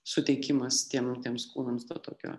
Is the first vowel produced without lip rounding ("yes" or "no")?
no